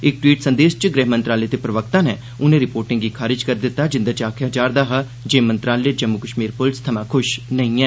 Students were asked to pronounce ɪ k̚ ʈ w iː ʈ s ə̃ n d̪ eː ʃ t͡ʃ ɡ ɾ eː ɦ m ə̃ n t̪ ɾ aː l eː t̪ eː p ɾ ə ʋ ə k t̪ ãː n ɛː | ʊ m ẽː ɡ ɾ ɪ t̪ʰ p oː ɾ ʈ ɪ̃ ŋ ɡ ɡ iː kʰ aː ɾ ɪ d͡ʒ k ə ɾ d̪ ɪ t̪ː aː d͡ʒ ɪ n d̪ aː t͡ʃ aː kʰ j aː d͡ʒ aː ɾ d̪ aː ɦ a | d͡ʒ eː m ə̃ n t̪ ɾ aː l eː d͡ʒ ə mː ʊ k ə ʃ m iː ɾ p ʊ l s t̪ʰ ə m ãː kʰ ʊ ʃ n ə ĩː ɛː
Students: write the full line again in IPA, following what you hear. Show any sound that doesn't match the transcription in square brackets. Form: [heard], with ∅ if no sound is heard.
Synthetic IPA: ɪ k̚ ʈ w iː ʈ s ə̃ n d̪ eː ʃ t͡ʃ ɡ ɾ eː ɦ m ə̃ n t̪ ɾ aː l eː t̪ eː p ɾ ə ʋ ə k t̪ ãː n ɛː | ʊ [n] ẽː [∅] ɾ ɪ [∅] p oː ɾ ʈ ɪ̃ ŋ ɡ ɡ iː kʰ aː ɾ ɪ d͡ʒ k ə ɾ d̪ ɪ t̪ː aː d͡ʒ ɪ n d̪ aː t͡ʃ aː kʰ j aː d͡ʒ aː ɾ d̪ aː ɦ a | d͡ʒ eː m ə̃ n t̪ ɾ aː l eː d͡ʒ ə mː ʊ k ə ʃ m iː ɾ p ʊ l s t̪ʰ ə m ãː kʰ ʊ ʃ n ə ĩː ɛː